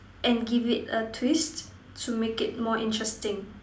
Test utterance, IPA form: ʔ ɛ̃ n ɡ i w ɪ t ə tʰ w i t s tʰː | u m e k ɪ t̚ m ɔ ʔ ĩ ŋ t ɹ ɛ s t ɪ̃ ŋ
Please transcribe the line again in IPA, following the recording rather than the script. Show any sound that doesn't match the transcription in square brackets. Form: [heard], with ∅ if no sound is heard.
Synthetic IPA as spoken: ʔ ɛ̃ n ɡ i [v] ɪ t ə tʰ w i [∅] s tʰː | u m e k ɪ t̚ m ɔ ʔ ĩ [n] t ɹ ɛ s t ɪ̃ ŋ